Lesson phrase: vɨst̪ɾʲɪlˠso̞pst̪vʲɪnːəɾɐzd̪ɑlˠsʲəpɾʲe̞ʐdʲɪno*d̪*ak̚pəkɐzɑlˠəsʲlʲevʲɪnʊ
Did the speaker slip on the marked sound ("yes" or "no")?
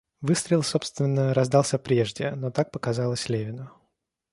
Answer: yes